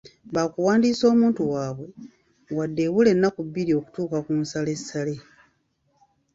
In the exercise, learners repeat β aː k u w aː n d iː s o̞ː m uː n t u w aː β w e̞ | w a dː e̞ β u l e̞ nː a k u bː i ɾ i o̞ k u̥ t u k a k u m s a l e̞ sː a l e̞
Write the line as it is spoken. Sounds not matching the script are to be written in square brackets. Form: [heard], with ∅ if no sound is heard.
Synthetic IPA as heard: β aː k u w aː n d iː s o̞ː m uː n t u w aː β w e̞ | w a dː e̞ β u l e̞ nː a k u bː i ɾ i o̞ k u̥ t [uː] k a k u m s a l e̞ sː a l e̞